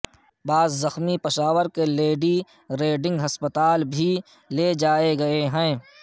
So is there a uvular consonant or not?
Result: no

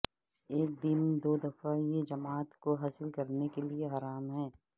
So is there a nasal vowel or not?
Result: no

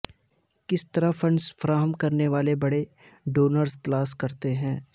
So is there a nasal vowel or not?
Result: yes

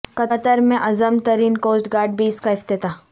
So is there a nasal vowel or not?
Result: yes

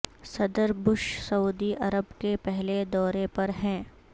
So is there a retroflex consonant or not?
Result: no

